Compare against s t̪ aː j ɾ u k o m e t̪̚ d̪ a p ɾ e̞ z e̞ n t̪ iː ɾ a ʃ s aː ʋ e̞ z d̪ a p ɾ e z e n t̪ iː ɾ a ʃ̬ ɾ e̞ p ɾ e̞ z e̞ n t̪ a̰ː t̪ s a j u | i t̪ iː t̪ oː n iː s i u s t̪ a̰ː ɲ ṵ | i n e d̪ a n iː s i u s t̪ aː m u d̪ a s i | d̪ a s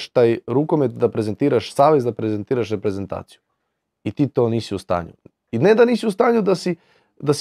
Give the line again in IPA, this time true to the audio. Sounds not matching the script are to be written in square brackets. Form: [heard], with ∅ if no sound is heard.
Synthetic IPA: [ʃ] t̪ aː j ɾ u k o m e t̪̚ d̪ a p ɾ e̞ z e̞ n t̪ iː ɾ a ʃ s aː ʋ e̞ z d̪ a p ɾ e z e n t̪ iː ɾ a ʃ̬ ɾ e̞ p ɾ e̞ z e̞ n t̪ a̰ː t̪ s [i] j u | i t̪ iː t̪ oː n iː s i u s t̪ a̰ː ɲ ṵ | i n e d̪ a n iː s i u s t̪ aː [ɲ] u d̪ a s i | d̪ a s